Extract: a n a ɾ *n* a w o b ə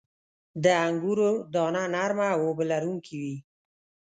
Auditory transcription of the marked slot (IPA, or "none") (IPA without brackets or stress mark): m